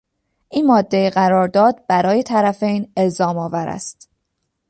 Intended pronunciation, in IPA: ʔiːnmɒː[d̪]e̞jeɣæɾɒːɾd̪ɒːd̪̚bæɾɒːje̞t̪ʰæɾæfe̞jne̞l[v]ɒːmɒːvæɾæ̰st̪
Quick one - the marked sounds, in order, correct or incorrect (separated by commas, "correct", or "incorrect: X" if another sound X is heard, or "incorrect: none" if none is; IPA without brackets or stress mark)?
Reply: incorrect: d̪ː, incorrect: z